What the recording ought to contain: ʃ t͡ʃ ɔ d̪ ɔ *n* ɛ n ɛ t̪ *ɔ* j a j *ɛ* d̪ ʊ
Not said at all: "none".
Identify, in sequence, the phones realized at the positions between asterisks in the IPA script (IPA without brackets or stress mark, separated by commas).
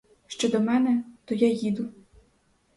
m, ɔ, i